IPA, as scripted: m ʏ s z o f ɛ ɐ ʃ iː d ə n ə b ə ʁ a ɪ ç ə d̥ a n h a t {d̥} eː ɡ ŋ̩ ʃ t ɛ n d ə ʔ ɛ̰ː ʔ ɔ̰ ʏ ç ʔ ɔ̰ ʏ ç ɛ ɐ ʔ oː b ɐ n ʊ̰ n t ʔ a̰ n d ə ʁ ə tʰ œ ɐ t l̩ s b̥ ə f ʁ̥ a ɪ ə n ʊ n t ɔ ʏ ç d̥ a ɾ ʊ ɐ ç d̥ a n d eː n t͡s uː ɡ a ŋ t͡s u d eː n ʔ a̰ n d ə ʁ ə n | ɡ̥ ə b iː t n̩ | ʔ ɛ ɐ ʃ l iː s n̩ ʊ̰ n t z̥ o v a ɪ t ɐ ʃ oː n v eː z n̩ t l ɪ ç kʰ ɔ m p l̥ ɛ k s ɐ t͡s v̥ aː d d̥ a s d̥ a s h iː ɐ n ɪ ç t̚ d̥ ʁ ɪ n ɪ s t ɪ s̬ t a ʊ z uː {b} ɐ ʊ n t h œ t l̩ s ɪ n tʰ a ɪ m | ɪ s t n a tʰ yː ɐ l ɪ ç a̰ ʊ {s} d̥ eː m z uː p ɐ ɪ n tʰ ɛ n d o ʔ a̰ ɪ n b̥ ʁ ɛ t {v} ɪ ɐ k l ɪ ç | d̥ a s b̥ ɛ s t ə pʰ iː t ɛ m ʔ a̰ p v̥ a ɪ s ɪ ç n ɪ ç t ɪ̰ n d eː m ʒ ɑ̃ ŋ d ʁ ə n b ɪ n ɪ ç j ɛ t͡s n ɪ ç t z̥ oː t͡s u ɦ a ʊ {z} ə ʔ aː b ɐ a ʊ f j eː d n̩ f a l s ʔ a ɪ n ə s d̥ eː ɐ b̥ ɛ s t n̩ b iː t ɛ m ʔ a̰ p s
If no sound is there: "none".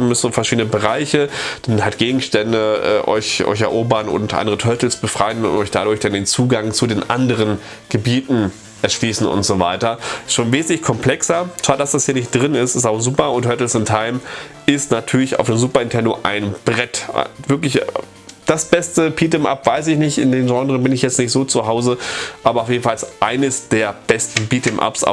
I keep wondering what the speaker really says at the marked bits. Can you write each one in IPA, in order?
ɡ̥, p, f, v, z

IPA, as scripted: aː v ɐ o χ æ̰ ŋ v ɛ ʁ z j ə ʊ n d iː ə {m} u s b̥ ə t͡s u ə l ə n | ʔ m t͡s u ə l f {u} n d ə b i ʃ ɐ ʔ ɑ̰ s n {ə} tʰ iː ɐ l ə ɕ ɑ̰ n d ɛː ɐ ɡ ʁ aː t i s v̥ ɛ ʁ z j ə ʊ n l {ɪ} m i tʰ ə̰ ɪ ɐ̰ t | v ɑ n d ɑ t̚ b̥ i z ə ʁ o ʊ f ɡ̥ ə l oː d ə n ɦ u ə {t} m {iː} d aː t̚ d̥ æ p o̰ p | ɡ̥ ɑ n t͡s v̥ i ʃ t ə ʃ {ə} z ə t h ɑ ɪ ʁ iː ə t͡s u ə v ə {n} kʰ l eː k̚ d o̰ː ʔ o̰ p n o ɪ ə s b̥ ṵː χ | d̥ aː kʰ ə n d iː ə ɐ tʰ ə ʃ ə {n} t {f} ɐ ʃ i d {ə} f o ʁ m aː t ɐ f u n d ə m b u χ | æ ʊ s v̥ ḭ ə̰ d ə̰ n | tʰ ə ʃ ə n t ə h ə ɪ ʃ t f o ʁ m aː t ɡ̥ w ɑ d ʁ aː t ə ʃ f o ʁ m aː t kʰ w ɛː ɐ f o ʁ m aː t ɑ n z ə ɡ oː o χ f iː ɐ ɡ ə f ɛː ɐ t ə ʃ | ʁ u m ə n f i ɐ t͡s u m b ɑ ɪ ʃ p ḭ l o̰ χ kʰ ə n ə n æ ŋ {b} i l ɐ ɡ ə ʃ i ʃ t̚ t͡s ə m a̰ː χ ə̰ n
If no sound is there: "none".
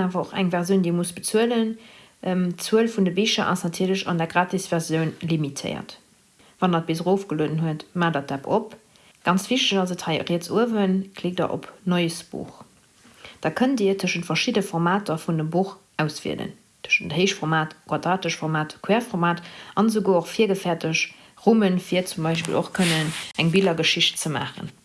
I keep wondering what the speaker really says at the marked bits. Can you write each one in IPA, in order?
m, u, ɑ, i, t, aː, ɑ, n, n, f, ə, b

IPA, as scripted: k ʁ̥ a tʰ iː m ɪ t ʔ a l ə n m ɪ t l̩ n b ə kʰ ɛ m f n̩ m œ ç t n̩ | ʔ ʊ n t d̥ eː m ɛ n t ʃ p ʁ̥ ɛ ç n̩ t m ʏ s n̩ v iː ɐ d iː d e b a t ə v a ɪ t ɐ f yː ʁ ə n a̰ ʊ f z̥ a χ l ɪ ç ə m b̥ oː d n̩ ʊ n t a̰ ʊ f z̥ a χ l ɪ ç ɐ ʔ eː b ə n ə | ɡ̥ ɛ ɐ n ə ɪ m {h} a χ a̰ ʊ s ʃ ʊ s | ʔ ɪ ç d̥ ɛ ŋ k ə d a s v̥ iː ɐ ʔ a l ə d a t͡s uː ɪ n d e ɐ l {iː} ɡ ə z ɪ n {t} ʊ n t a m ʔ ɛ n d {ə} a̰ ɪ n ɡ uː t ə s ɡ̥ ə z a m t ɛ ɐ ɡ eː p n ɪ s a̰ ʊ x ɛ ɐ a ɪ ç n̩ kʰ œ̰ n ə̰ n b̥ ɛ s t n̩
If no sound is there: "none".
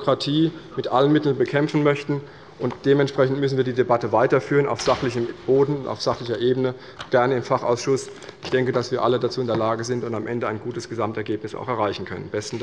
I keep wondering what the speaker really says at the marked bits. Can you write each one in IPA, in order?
f, aː, t, ə

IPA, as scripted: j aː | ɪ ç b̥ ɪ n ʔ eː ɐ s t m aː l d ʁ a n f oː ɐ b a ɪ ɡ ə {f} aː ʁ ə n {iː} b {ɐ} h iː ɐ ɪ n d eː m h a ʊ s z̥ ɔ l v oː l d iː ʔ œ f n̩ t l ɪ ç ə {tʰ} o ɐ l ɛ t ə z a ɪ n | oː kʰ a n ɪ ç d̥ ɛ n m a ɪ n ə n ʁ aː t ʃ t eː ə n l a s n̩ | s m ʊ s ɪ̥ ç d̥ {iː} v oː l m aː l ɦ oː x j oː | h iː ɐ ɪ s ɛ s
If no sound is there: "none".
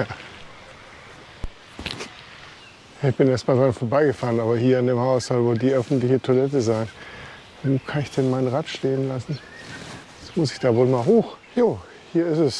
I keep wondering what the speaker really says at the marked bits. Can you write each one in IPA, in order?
f, aː, ɐ, tʰ, aː

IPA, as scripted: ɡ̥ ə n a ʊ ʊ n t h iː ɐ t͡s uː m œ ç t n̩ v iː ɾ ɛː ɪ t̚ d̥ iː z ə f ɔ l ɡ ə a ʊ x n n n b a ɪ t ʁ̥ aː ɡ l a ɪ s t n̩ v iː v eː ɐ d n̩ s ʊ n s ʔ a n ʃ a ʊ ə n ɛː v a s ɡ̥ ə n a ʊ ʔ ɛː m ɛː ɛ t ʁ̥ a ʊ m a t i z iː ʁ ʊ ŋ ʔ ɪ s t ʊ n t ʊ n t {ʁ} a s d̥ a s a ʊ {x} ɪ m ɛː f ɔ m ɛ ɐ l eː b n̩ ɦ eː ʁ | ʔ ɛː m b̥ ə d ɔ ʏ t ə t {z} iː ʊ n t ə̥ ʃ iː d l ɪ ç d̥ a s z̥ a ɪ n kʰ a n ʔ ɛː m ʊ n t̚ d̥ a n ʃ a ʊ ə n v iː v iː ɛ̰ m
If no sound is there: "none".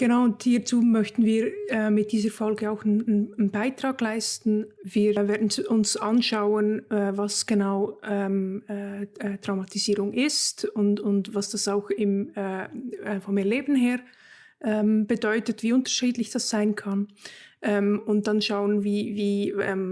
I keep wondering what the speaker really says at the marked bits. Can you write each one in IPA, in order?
v, x, v

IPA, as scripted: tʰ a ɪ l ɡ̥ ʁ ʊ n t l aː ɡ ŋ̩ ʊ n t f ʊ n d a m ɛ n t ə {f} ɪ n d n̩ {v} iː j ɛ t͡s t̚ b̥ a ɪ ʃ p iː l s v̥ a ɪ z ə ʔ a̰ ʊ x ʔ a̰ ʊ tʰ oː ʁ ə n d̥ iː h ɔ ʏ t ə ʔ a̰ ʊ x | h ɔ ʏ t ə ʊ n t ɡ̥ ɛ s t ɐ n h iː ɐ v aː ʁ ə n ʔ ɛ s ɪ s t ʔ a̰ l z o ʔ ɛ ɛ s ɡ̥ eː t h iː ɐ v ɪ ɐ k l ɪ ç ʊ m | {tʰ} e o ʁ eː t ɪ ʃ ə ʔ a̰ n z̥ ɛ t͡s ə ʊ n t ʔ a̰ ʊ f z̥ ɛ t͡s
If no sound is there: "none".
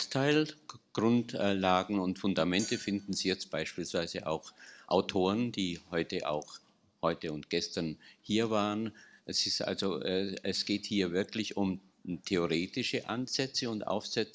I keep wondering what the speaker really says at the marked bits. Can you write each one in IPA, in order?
f, z, tʰ

